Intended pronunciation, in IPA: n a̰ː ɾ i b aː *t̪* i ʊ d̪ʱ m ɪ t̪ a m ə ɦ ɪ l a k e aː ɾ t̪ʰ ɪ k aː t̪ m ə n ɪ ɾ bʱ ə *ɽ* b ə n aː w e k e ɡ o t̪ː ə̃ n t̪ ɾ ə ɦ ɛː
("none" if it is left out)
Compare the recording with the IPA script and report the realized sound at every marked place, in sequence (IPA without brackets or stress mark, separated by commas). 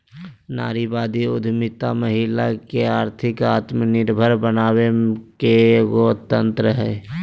d̪, ɾ